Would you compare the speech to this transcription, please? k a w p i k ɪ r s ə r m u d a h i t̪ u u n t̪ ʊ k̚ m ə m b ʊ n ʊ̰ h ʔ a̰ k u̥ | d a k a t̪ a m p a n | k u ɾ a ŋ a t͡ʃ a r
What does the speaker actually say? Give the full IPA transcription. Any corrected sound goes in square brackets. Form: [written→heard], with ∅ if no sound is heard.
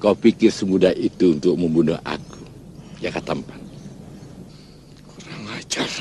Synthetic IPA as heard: k a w p i k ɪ r s ə [r→∅] m u d a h i t̪ u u n t̪ ʊ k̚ m ə m b [ʊ→u] n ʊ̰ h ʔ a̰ k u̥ | [d→d͡ʒ] a k a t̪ a m p a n | k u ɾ a ŋ a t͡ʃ a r

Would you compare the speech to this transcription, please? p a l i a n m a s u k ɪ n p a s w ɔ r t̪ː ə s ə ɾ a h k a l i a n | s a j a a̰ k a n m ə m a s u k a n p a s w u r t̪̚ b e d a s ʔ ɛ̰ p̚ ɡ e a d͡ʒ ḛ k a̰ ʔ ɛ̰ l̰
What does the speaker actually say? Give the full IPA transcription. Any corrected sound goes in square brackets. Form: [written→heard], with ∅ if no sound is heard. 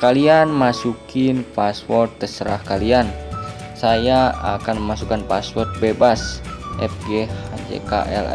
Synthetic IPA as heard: [p→k] a l i a n m a s u k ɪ n p a s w ɔ r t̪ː ə s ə ɾ a h k a l i a n | s a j a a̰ k a n m ə m a s u k a n p a s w [u→ɔ] r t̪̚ b e [d→b] a s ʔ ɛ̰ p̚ ɡ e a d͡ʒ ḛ k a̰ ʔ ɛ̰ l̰

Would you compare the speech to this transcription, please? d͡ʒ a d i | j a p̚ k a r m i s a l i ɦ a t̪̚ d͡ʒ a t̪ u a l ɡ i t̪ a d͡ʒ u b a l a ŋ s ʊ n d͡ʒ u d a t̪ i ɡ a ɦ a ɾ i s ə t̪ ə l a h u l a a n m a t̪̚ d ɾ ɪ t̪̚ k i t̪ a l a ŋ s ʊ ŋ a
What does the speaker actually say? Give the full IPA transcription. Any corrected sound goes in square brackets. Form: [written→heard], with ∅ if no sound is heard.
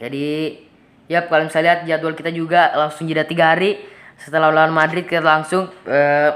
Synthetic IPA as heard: d͡ʒ a d i | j a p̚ k a [r→l] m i s a l i ɦ a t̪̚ d͡ʒ a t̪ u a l [ɡ→k] i t̪ a d͡ʒ u [b→ɡ] a l a ŋ s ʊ [n→ŋ] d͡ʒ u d a t̪ i ɡ a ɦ a ɾ i s ə t̪ ə l a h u l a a n m a [t̪̚→∅] d ɾ ɪ t̪̚ k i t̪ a l a ŋ s ʊ ŋ [a→ə]

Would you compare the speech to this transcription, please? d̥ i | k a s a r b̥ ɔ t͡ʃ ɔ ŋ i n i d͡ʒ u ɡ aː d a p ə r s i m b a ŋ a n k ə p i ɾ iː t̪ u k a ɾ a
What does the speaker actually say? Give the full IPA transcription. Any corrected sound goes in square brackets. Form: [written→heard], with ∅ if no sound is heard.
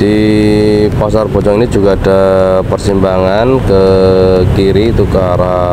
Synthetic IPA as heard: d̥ i | [k→p] a s a r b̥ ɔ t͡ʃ ɔ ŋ i n i d͡ʒ u ɡ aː d a p ə r s i m b a ŋ a n k ə [p→k] i ɾ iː t̪ u k a ɾ a

